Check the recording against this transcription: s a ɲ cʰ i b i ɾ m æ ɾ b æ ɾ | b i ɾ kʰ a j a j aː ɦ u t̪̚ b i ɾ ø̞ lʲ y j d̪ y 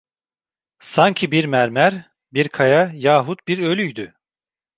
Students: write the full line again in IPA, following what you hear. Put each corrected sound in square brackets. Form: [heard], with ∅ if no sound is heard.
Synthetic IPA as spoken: s a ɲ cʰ i b i ɾ m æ ɾ [m] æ ɾ | b i ɾ kʰ a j a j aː ɦ u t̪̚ b i ɾ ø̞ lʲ y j d̪ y